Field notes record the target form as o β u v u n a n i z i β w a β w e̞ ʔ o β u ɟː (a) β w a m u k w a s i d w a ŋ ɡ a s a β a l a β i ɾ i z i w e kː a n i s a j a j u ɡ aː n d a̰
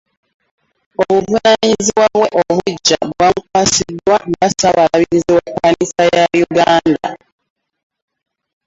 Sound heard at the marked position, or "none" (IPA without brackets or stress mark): a